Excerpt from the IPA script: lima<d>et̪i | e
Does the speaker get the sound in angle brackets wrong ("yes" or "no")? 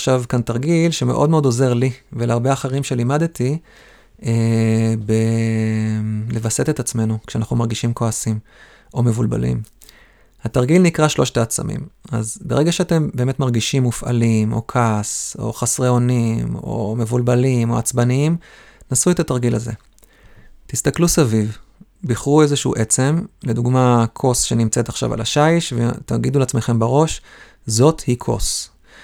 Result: no